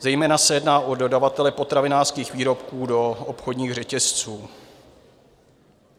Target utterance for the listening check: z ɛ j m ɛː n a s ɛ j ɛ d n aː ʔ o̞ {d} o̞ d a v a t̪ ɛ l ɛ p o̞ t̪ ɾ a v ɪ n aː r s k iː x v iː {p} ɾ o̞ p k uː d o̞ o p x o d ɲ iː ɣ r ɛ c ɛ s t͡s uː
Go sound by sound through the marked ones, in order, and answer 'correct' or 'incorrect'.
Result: correct, incorrect: none

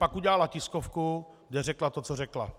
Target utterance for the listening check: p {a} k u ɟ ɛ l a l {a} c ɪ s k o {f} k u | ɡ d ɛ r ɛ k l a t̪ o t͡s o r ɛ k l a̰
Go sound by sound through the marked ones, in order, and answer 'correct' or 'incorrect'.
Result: correct, correct, correct

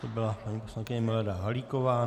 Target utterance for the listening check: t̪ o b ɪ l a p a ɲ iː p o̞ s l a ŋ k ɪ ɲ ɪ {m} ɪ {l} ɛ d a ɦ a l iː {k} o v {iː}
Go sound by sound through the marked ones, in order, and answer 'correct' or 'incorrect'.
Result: correct, correct, correct, incorrect: aː

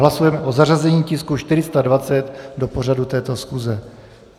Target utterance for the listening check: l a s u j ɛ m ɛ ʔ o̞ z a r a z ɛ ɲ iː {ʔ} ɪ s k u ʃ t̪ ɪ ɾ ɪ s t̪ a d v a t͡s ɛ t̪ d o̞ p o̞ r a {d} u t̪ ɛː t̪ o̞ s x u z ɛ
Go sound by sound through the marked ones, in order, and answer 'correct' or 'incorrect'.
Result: incorrect: c, correct

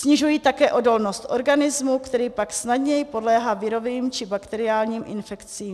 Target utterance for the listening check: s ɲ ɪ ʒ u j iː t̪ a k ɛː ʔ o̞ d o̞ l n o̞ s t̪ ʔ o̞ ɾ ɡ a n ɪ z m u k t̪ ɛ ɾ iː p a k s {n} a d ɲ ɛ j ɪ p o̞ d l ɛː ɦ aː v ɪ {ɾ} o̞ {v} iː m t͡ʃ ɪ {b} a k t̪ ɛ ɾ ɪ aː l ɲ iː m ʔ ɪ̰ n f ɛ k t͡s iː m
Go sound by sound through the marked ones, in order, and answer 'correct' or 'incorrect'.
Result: correct, correct, correct, correct

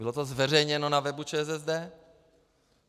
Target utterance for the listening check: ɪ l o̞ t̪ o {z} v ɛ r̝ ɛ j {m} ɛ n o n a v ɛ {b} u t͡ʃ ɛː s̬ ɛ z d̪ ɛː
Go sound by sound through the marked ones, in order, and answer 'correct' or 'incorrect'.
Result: correct, incorrect: ɲ, correct

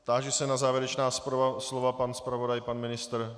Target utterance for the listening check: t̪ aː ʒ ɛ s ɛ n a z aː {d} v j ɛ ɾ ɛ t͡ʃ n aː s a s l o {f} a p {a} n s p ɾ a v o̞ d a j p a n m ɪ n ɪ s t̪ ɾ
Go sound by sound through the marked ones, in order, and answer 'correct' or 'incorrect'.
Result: incorrect: none, incorrect: v, correct

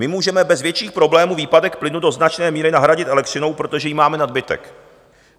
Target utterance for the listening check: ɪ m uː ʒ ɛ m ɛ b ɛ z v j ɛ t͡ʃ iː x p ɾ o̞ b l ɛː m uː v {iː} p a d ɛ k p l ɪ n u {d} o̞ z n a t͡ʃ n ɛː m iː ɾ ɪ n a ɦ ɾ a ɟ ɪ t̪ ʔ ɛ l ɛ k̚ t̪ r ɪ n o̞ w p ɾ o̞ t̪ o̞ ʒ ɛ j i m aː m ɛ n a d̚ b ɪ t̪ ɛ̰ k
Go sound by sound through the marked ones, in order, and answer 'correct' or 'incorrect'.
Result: correct, correct

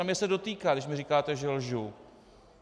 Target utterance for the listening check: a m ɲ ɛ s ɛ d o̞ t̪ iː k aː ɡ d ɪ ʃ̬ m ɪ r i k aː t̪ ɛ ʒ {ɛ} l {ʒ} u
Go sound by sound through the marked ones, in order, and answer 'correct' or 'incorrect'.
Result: correct, correct

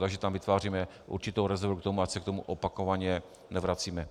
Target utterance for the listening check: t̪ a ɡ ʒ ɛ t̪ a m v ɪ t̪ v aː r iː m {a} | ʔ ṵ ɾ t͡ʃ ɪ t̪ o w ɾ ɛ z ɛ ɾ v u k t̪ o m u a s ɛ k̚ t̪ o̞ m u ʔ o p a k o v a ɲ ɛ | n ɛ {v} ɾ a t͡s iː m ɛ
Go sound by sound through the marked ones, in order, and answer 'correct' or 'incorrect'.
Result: incorrect: ɛ, correct

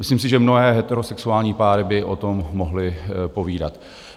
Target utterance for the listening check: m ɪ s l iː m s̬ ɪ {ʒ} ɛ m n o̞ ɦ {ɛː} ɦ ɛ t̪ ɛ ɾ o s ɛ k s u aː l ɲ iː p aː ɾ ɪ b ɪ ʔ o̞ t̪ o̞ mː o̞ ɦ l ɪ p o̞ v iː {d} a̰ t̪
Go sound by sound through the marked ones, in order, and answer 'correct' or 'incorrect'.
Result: correct, correct, correct

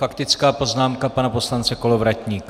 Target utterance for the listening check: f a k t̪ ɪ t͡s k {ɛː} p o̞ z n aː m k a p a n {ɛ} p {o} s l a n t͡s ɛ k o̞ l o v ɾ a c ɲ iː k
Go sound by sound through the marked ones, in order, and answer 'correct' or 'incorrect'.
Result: incorrect: aː, incorrect: a, correct

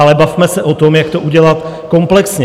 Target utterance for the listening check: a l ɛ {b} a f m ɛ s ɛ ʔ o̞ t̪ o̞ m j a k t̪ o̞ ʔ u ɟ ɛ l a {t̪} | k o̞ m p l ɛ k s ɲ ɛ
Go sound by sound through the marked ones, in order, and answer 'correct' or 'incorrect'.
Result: correct, correct

